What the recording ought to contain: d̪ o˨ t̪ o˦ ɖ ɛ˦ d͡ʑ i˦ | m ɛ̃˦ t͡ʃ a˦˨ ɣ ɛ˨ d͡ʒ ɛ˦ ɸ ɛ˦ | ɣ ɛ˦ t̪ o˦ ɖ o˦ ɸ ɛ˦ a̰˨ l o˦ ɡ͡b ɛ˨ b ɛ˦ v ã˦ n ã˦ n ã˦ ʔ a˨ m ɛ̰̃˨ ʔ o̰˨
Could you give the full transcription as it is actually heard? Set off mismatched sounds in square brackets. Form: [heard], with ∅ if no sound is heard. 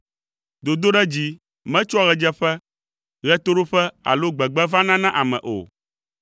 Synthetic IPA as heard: d̪ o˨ [d̪] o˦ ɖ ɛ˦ d͡ʑ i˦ | m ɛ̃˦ t͡ʃ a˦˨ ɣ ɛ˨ d͡ʒ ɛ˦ ɸ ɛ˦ | ɣ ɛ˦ t̪ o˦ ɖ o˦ ɸ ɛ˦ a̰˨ l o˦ ɡ͡b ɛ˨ [ɡ͡b] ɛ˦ v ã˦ n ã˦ n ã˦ ʔ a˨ m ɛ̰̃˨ ʔ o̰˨